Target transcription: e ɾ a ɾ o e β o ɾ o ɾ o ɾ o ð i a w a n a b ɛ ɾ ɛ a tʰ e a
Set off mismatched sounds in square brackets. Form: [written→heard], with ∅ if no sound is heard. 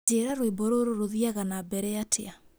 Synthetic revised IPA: e ɾ a ɾ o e [β→b] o ɾ o ɾ o ɾ o ð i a [w→ɣ] a n a b ɛ ɾ ɛ a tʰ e a